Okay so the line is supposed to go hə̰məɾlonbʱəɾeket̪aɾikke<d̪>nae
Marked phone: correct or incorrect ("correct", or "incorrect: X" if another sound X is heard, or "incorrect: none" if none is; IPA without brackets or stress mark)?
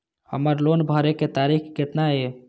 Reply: incorrect: t̪